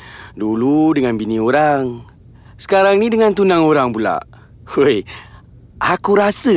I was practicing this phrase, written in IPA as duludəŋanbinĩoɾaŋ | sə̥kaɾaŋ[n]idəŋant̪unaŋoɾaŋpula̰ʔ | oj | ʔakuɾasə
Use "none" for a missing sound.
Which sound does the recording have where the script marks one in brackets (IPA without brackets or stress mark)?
n